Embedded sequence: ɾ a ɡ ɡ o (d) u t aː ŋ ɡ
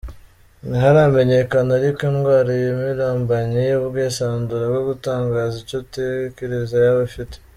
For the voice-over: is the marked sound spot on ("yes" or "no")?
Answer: no